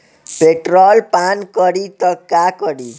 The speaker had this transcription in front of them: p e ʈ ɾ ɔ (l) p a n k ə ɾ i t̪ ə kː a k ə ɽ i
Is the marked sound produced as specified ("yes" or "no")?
yes